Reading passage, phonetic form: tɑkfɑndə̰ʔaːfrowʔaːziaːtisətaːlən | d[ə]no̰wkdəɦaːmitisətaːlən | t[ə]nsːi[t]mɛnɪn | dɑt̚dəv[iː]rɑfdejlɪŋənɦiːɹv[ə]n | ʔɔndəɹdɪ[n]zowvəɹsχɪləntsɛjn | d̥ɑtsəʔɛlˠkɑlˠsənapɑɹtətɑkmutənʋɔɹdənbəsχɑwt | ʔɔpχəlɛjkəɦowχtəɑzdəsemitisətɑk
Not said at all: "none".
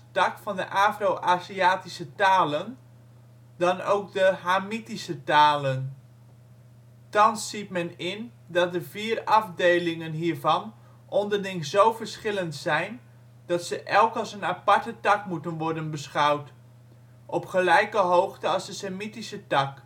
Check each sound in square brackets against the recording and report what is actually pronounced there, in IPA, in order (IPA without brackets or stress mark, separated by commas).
ɑ, ɑ, t, iː, ɑ, ŋ